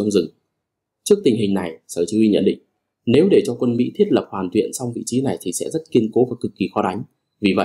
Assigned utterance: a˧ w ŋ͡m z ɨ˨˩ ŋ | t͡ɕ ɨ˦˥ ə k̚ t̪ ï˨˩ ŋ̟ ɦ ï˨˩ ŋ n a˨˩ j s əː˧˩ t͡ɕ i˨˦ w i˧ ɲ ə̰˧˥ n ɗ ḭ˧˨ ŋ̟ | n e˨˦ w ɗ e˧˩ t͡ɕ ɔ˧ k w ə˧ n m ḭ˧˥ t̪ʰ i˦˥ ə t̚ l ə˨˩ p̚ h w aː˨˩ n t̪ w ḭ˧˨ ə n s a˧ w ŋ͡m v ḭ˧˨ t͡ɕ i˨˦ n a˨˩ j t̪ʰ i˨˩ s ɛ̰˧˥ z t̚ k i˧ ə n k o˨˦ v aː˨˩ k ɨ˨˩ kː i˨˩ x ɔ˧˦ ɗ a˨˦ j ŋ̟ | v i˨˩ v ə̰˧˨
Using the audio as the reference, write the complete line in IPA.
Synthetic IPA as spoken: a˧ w ŋ͡m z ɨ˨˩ ŋ | t͡ɕ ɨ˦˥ ə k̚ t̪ ï˨˩ ŋ̟ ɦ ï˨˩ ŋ n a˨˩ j s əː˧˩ t͡ɕ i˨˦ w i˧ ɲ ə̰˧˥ n ɗ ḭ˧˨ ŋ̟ | n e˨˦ w ɗ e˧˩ t͡ɕ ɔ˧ k w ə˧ n m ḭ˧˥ t̪ʰ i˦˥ ə t̚ l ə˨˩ p̚ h w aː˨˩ n t̪ w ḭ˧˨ ə n s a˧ w ŋ͡m v ḭ˧˨ t͡ɕ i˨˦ n a˨˩ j t̪ʰ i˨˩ s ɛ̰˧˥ z t̚ k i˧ ə n k o˨˦ v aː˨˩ k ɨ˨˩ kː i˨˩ x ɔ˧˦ ɗ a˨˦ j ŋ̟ | v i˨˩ v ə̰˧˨